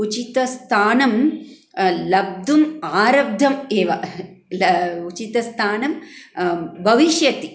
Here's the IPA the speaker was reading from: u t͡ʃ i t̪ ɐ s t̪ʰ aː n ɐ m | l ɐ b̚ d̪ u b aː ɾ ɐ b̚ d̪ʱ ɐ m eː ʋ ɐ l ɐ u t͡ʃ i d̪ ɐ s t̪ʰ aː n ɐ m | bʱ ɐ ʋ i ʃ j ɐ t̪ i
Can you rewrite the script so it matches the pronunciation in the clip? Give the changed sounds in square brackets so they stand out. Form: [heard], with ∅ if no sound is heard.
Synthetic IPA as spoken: u t͡ʃ i t̪ ɐ s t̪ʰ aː n ɐ m | l ɐ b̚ d̪ u [m] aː ɾ ɐ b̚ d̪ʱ ɐ m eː ʋ ɐ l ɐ u t͡ʃ i [t̪] ɐ s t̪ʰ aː n ɐ m | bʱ ɐ ʋ i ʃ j ɐ t̪ i